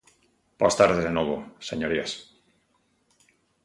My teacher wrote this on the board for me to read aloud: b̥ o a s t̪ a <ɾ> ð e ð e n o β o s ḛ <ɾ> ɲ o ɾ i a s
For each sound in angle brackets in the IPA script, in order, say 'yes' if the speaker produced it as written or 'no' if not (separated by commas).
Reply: yes, no